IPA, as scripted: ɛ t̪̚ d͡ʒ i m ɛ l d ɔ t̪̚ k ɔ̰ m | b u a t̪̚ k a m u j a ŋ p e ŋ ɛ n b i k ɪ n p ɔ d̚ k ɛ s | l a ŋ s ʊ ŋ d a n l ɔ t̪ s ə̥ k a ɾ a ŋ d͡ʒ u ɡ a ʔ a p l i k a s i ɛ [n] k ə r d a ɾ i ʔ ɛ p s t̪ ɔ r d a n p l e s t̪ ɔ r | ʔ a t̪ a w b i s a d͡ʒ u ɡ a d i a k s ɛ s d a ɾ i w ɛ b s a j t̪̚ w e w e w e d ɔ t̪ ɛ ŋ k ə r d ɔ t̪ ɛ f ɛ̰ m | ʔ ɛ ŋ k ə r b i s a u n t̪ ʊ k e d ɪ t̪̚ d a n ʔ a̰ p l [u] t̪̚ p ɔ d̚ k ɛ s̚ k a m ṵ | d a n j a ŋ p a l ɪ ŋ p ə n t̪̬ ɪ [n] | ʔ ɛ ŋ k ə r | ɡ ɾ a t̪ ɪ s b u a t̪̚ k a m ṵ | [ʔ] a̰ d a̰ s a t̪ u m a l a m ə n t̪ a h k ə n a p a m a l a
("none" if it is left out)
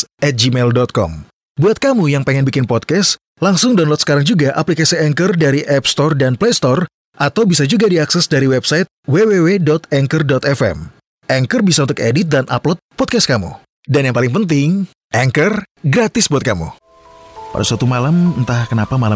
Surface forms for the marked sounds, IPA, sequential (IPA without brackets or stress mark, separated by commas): ŋ, ɔ, ŋ, p